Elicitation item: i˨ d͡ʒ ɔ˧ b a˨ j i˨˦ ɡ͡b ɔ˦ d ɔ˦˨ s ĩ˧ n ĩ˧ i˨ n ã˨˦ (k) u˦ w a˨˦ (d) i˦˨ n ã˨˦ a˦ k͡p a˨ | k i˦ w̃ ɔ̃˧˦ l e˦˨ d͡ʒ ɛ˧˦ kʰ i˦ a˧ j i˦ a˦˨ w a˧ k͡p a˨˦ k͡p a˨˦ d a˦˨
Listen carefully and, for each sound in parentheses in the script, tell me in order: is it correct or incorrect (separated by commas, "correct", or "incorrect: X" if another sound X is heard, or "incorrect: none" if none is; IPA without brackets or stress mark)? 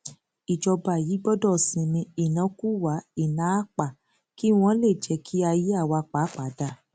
correct, incorrect: none